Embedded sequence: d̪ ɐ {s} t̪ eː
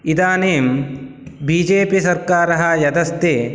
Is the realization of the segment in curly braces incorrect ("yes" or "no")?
no